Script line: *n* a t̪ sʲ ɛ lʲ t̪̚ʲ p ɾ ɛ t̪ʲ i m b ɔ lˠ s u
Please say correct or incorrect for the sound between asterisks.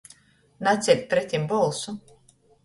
correct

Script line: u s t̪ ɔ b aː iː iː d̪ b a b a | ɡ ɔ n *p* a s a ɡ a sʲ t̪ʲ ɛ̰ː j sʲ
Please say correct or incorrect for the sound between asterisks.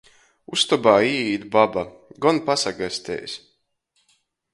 correct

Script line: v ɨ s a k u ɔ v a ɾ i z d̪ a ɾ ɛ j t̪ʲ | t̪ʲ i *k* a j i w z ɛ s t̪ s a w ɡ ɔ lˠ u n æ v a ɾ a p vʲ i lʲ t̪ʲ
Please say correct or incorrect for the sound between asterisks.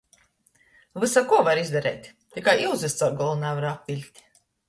correct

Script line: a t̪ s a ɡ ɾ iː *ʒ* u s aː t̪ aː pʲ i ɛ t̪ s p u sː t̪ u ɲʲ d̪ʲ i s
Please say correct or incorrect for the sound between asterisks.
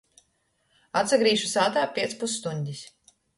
incorrect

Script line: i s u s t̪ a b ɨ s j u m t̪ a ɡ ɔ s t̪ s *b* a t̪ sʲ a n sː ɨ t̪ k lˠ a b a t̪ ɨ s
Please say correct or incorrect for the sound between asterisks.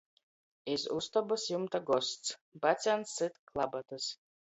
correct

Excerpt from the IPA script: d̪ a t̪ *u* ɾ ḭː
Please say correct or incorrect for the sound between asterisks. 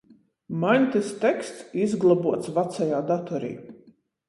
incorrect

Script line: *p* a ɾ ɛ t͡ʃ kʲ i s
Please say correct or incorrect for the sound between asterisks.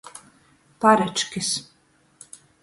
correct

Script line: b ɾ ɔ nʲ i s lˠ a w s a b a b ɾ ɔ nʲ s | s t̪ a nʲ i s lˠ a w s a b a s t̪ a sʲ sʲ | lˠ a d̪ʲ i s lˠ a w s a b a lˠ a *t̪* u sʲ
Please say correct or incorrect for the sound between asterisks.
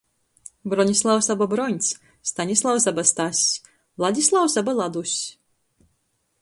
incorrect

